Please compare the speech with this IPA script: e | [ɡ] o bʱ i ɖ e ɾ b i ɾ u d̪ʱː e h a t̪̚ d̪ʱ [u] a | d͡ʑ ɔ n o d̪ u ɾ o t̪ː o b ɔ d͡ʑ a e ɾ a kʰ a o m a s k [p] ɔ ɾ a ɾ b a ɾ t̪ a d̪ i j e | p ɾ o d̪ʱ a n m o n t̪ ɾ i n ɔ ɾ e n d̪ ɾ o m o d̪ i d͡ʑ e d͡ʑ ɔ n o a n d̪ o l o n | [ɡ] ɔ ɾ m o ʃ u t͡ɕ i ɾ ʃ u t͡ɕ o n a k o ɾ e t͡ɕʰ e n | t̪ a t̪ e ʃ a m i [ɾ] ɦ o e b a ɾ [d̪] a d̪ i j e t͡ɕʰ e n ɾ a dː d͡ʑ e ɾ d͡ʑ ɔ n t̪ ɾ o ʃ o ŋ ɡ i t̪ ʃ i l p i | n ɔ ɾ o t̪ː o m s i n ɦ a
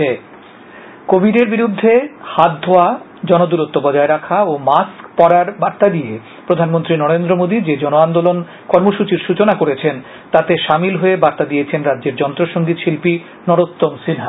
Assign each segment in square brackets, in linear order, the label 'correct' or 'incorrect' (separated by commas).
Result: incorrect, incorrect, correct, incorrect, incorrect, incorrect